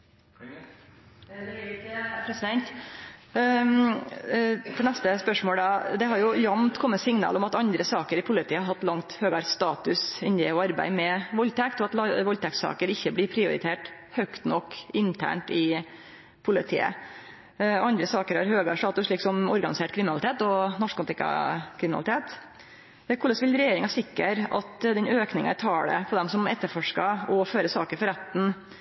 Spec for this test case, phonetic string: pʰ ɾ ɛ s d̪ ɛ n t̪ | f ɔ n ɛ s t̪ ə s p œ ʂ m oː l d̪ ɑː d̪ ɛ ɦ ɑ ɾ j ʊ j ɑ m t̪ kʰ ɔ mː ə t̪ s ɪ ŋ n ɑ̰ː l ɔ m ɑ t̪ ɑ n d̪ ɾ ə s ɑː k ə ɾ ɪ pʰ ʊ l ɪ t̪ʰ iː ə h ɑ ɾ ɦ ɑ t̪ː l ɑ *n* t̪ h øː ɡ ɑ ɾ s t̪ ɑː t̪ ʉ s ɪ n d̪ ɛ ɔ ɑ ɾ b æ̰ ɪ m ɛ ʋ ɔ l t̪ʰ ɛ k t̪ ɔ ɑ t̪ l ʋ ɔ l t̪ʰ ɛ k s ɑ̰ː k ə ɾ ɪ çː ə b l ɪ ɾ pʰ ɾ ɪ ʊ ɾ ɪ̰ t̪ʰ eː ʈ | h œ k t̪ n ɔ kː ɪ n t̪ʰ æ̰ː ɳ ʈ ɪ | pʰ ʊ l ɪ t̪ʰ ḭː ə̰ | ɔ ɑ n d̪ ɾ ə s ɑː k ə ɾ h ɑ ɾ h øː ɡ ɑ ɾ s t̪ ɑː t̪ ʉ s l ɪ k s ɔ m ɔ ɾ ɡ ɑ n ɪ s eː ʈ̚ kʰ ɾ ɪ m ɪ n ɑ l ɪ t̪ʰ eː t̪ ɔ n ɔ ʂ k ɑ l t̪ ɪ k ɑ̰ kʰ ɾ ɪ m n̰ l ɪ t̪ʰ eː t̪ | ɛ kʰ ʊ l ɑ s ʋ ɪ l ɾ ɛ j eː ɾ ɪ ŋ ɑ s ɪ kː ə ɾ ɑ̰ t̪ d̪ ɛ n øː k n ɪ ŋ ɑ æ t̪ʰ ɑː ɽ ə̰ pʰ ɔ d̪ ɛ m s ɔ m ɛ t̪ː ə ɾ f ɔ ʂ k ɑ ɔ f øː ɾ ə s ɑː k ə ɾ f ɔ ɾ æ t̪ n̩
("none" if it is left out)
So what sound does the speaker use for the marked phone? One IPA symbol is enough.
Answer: ŋ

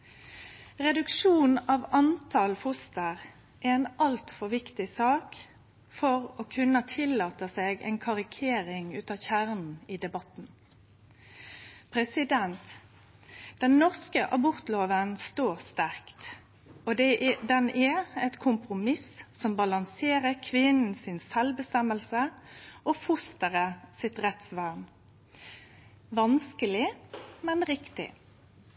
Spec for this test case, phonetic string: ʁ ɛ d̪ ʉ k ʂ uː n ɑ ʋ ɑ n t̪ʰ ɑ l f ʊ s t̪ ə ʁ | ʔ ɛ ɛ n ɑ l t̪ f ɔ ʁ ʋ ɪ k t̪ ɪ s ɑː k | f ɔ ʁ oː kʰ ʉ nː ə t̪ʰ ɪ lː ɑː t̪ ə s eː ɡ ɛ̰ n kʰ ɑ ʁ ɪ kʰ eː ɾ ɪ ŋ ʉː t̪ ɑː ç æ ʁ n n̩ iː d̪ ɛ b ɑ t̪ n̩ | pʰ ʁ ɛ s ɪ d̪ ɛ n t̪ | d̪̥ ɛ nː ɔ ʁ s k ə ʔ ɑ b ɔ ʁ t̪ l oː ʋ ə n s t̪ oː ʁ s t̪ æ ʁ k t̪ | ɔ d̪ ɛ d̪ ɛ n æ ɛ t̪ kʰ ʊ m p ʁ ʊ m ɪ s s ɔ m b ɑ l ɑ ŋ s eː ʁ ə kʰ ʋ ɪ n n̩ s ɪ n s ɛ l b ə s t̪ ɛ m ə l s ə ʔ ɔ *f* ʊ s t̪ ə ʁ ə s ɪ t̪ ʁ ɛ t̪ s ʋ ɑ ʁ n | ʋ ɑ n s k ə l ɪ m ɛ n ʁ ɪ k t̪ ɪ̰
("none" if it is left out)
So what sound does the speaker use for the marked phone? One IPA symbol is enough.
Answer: f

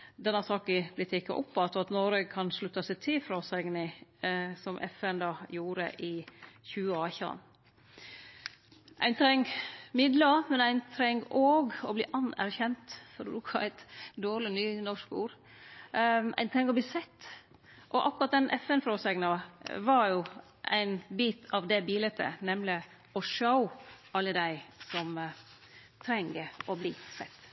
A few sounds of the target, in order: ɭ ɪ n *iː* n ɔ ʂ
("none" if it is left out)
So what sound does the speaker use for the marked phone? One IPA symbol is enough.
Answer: yː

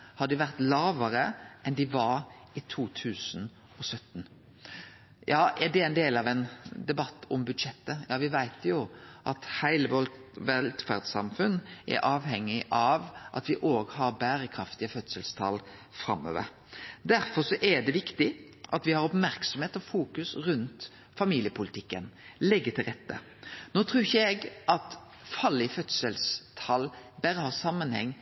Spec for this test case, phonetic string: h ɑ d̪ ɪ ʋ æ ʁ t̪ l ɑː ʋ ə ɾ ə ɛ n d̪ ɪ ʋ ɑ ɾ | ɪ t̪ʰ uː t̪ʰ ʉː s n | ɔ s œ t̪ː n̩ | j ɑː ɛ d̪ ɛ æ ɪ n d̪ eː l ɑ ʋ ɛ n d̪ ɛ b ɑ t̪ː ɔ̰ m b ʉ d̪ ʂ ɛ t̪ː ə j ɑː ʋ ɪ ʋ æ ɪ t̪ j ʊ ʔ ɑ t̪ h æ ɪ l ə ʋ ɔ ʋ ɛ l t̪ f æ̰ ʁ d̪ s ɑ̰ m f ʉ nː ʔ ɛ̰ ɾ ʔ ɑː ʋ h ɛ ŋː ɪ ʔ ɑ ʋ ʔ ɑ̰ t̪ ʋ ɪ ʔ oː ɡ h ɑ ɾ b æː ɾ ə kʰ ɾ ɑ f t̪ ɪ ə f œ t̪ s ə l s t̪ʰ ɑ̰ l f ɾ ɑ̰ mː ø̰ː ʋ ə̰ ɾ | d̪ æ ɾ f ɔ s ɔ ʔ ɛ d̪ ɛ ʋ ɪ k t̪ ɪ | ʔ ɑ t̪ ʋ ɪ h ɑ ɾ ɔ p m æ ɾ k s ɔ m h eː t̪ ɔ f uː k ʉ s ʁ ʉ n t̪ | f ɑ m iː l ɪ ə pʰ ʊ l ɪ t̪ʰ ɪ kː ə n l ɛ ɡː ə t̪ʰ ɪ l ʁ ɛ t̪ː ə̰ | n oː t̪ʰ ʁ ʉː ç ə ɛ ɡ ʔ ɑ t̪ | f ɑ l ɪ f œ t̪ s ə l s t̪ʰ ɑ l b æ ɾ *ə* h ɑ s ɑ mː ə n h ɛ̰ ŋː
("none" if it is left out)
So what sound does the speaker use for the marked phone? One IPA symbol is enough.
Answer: ə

